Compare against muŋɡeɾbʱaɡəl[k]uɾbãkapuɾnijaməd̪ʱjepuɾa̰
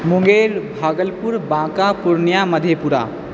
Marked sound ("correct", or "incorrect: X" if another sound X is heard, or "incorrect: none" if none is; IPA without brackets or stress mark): incorrect: p